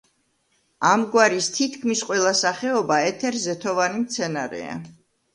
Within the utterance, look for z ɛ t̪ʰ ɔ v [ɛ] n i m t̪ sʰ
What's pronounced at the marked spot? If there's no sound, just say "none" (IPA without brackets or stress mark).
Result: a